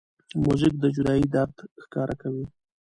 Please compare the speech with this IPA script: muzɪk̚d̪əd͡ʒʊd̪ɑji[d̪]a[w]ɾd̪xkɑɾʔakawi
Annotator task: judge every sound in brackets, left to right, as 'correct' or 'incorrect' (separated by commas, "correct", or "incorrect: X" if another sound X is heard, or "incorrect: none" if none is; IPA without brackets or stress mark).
correct, incorrect: none